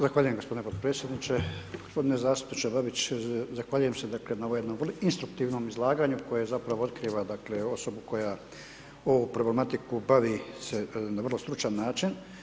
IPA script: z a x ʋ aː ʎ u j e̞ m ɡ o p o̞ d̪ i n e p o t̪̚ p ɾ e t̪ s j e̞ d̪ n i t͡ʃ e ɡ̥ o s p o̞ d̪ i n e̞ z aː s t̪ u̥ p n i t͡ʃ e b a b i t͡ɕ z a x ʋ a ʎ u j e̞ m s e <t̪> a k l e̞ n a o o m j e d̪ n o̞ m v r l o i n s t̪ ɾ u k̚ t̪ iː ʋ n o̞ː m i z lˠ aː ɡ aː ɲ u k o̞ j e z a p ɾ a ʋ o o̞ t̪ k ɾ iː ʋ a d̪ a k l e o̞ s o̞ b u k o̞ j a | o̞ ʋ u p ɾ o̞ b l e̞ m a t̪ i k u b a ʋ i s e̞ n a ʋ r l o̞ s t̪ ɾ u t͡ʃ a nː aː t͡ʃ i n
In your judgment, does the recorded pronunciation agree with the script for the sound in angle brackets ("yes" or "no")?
no